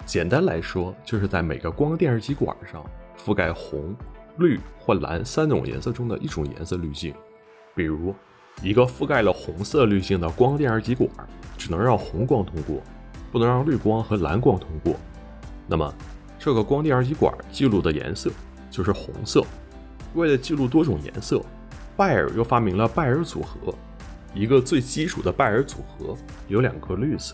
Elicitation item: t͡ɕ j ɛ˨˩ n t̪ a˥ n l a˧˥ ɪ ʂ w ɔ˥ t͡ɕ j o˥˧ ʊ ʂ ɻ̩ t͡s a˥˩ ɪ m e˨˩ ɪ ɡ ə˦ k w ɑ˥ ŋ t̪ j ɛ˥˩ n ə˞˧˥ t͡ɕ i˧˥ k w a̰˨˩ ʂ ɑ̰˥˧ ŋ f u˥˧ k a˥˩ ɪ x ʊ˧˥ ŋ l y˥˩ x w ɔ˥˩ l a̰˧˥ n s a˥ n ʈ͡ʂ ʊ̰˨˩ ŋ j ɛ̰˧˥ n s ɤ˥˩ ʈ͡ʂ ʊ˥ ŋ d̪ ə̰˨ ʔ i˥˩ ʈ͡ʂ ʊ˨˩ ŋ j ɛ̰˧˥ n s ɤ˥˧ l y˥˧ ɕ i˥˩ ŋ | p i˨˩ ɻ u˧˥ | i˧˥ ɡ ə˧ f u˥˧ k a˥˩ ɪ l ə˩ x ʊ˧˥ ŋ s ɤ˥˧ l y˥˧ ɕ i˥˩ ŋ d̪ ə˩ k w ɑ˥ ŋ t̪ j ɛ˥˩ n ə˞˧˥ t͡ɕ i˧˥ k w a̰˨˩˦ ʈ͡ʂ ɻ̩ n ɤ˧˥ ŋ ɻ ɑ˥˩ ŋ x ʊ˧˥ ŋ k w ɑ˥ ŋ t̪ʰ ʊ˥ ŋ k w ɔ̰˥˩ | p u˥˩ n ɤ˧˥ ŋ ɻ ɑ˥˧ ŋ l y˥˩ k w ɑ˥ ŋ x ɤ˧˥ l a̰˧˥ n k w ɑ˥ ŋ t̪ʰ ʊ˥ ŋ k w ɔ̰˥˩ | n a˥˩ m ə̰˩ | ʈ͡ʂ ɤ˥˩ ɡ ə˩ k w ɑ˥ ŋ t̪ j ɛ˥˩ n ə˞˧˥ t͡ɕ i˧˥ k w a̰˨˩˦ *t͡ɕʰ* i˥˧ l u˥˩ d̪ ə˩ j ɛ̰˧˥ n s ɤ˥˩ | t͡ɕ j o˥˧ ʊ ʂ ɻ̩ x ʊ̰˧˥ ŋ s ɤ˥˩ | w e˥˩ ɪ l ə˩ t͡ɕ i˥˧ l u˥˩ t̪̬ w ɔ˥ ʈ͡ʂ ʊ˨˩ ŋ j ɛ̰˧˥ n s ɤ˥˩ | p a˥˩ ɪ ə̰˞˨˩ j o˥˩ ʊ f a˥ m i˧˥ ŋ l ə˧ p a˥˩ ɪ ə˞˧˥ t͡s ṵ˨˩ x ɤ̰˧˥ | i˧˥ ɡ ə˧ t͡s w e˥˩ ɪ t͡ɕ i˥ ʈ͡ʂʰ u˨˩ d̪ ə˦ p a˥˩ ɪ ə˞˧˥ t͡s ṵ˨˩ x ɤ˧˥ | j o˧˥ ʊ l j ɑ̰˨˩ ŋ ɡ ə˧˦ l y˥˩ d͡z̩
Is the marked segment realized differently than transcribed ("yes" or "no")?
yes